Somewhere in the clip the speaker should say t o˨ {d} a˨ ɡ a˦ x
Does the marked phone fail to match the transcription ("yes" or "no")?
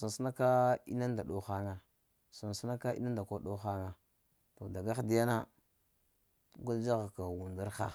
no